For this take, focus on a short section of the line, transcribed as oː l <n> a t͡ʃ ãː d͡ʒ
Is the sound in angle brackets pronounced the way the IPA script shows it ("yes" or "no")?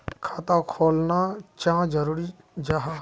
yes